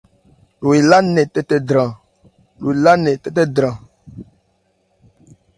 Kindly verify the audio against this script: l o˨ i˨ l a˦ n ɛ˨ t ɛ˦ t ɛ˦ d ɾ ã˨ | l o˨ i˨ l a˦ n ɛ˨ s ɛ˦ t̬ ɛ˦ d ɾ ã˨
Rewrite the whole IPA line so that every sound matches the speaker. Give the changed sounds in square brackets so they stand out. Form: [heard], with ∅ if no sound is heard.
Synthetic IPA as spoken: l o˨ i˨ l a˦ n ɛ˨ t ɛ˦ t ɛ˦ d ɾ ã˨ | l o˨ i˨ l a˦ n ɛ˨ [t] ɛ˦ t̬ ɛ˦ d ɾ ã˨